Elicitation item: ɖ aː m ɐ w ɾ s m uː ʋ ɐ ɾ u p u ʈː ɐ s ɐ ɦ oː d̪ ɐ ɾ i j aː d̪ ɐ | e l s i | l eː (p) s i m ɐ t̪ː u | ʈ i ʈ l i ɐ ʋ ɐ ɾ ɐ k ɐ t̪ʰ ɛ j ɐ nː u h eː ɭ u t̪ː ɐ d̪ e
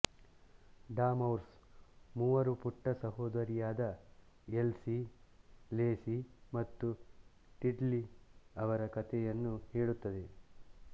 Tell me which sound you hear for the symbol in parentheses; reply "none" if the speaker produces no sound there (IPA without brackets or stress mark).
none